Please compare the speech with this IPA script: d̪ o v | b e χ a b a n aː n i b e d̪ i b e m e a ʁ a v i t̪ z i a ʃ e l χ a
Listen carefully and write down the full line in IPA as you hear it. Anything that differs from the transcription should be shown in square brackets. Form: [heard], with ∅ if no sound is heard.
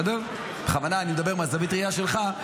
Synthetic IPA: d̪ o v | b e χ a [v] a n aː n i [m] e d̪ [a] b e m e a [z] a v i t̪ [ʁ] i a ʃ e l χ a